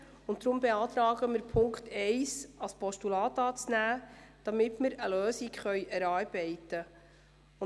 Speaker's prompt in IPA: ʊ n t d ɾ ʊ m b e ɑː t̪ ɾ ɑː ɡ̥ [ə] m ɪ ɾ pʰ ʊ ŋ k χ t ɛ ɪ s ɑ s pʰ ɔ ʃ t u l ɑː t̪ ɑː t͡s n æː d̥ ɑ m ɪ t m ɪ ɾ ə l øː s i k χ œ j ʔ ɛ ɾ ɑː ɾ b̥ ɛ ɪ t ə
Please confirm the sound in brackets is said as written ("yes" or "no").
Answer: yes